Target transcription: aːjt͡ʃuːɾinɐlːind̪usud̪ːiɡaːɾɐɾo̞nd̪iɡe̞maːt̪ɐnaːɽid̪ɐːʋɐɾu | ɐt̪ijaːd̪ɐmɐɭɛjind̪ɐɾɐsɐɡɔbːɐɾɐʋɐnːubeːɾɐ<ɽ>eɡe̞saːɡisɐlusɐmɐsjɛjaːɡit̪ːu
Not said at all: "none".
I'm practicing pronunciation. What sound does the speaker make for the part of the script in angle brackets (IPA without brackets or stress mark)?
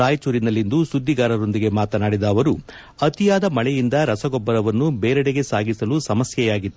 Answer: ɽ